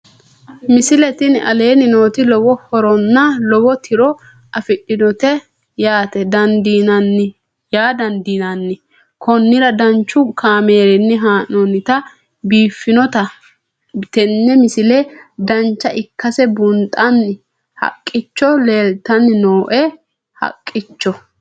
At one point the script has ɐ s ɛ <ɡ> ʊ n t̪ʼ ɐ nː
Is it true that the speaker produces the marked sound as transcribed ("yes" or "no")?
no